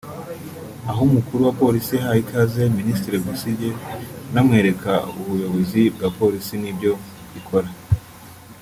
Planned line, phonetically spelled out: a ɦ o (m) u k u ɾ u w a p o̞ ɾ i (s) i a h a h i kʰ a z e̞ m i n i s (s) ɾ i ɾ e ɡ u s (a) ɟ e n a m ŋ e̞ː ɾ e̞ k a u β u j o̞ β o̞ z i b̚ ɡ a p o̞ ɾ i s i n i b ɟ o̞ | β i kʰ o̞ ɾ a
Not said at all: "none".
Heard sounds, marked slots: m, s, t, i

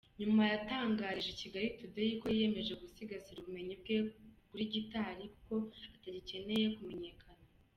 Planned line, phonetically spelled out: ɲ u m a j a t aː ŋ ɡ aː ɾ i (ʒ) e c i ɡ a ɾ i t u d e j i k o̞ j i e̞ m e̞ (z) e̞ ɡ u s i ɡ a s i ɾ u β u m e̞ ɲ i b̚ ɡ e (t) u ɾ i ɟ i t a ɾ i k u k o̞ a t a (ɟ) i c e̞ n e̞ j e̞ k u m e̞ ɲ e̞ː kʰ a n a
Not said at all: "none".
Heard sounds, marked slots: ʒ, ʒ, k, ɟ

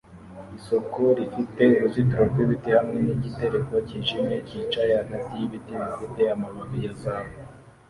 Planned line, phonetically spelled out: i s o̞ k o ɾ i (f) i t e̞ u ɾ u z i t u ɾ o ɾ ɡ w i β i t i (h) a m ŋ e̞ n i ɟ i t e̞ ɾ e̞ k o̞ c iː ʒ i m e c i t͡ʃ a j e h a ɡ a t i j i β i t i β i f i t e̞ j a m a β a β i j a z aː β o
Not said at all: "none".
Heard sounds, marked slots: f, h

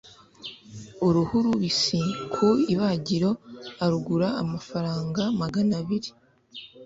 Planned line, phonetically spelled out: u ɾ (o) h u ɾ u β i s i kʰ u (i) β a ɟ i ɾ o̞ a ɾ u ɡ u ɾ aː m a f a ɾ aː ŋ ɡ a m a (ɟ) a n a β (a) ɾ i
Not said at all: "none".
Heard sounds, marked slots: u, i, ɡ, i

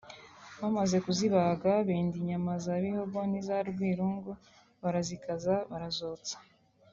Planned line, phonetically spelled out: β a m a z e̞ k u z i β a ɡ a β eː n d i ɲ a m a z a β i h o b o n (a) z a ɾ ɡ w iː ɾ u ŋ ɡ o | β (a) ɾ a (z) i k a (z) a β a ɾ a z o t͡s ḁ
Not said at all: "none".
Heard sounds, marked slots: i, a, z, z

